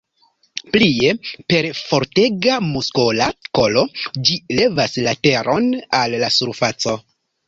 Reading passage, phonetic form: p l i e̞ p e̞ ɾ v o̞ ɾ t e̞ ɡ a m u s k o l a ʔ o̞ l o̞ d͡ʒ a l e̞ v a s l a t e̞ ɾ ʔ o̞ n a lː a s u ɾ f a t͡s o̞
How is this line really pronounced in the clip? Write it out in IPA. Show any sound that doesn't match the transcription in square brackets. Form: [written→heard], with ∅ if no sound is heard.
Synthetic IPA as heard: p l i e̞ p e̞ ɾ [v→f] o̞ ɾ t e̞ ɡ a m u s k o l a [ʔ→k] o̞ l o̞ d͡ʒ [a→i] l e̞ v a s l a t e̞ ɾ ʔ o̞ n a lː a s u ɾ f a t͡s o̞